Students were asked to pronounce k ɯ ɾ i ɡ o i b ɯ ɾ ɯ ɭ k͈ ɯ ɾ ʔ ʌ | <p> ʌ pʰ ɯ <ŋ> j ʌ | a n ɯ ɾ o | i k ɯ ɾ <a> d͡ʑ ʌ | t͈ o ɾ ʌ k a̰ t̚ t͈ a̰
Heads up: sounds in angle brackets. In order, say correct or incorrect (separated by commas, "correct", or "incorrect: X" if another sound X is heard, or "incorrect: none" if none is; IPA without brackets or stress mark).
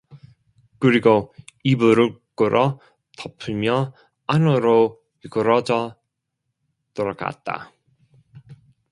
incorrect: t, incorrect: m, incorrect: ʌ